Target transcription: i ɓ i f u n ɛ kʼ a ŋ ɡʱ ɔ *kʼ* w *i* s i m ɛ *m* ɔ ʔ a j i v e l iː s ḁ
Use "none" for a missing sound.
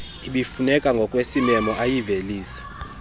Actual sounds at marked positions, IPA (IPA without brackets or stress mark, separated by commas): kʼ, e, m